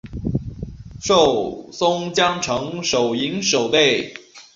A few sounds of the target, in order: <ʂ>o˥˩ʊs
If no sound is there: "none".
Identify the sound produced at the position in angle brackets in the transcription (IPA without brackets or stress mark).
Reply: ʂ